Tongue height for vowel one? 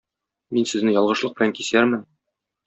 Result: high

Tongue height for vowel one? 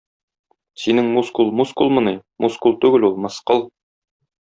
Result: high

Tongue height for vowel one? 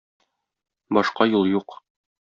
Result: low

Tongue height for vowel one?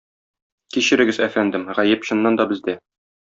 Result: high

